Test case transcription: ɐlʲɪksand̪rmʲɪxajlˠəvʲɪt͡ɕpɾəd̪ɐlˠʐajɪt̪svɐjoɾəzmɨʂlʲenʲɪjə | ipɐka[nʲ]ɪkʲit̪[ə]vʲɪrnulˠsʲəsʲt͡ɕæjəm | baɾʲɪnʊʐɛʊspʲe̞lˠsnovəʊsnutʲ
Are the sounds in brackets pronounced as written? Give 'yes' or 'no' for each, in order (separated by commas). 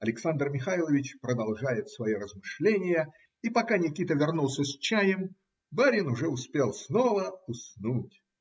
yes, yes